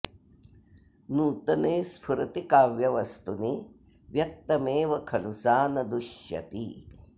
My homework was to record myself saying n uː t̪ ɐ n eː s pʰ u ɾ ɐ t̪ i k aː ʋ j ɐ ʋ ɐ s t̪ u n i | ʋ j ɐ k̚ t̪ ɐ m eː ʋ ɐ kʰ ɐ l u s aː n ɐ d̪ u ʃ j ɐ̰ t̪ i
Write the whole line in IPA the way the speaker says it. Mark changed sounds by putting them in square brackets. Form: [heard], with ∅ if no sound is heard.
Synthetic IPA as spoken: n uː t̪ ɐ n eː s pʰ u ɾ ɐ t̪ i k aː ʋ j ɐ ʋ ɐ s t̪ u n i | ʋ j ɐ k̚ t̪ ɐ m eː ʋ ɐ kʰ ɐ l u s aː n ɐ d̪ u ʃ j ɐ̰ t̪ i